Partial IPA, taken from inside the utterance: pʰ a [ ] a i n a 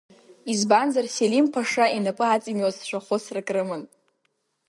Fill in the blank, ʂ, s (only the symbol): ʂ